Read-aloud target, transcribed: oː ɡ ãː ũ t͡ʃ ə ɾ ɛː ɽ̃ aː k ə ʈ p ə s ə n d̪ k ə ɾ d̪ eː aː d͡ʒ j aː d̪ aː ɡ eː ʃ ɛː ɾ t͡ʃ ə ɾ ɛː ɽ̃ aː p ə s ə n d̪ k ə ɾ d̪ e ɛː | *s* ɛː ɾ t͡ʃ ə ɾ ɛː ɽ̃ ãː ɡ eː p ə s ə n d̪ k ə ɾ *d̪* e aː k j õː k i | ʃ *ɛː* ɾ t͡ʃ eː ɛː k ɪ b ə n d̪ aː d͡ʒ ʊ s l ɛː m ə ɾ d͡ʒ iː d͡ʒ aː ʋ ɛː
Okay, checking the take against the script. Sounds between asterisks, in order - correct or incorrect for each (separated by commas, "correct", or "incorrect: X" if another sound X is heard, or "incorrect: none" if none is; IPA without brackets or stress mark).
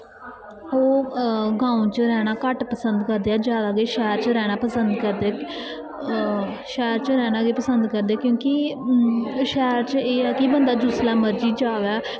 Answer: incorrect: ʃ, correct, correct